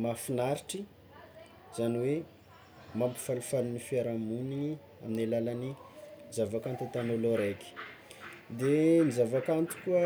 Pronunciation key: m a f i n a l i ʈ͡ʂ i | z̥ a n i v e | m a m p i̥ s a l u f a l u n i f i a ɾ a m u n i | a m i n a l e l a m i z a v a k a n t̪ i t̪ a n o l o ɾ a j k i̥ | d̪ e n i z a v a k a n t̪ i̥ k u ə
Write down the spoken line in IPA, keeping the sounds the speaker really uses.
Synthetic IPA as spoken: m a f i n a ɾ i ʈ͡ʂ i | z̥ a n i w e | m a m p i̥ f a l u f a l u n i f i a ɾ a m u n i | a m i n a l a l a n i z a v a k a n t̪ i t̪ a n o l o ɾ a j k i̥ | d̪ e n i z a v a k a n t̪ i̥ k u ə